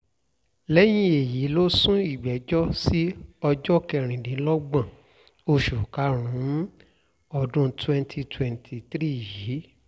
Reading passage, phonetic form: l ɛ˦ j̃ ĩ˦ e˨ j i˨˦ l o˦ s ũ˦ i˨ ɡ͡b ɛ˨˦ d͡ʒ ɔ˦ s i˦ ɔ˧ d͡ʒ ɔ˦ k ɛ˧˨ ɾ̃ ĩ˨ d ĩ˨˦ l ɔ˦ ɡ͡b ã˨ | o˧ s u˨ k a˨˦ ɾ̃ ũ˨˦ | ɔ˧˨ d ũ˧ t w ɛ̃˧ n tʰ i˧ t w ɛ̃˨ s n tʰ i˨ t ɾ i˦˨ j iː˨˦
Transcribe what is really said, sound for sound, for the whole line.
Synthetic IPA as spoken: l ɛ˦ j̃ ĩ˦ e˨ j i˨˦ l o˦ s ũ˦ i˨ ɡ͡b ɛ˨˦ d͡ʒ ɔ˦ s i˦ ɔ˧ d͡ʒ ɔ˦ k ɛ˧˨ ɾ̃ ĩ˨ d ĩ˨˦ l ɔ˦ ɡ͡b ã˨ | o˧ ʃ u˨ k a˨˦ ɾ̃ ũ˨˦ | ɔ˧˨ d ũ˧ t w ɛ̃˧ n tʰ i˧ t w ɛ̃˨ n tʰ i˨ t ɾ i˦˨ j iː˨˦